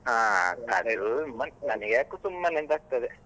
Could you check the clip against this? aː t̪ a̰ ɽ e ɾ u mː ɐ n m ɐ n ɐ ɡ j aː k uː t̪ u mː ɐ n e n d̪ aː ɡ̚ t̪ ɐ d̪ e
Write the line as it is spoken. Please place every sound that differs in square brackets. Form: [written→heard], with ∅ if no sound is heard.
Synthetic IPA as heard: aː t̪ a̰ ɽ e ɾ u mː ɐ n [m→n] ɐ n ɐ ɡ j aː k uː t̪ u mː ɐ n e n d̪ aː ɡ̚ t̪ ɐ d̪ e